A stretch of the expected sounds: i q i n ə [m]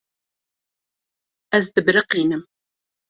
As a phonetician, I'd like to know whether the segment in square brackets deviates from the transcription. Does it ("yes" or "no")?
no